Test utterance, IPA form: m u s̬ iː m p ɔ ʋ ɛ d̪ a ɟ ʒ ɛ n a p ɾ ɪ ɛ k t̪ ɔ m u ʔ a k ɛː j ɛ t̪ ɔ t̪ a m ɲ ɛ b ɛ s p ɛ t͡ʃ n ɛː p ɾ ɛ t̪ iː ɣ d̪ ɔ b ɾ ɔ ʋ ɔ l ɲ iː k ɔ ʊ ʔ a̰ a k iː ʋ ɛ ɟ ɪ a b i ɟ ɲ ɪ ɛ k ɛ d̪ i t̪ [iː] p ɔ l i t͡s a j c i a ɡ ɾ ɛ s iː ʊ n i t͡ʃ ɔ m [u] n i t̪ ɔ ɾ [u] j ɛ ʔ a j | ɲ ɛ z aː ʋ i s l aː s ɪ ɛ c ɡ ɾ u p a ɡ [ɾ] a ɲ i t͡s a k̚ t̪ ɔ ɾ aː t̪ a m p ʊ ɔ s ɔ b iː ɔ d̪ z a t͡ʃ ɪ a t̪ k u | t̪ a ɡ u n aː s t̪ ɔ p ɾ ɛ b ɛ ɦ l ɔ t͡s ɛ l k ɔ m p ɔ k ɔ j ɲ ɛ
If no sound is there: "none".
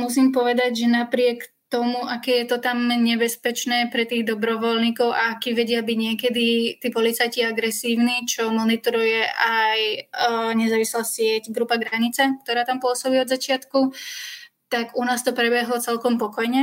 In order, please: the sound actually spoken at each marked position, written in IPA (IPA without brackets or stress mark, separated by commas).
iː, ɔ, u, ɾ